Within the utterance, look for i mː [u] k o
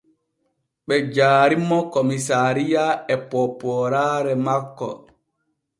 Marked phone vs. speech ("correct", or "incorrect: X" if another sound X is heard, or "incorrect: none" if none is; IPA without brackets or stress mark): incorrect: ɔ